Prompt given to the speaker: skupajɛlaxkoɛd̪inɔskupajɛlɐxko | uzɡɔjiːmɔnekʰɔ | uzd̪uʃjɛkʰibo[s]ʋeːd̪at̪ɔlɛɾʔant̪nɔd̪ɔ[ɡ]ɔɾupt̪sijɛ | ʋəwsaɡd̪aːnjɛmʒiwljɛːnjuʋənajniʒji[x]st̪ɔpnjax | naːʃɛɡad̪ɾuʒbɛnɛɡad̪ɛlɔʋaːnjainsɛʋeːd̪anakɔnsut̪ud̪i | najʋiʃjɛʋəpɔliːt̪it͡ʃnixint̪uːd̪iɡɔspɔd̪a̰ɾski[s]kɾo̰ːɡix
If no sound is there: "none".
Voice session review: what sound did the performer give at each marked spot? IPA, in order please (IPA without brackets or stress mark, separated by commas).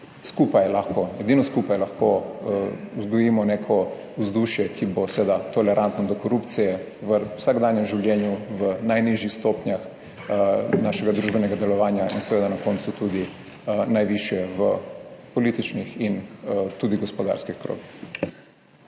s, k, x, x